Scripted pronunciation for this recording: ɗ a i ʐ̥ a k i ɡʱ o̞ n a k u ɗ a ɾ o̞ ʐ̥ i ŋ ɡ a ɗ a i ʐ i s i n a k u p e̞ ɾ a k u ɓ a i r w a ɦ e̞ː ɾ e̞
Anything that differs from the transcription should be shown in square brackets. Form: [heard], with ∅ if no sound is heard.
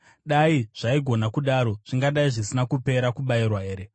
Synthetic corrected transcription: ɗ a i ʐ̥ a [∅] i ɡʱ o̞ n a k u ɗ a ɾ o̞ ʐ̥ i ŋ ɡ a ɗ a i ʐ i s i n a k u p e̞ ɾ a k u ɓ a i r w a ɦ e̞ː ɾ e̞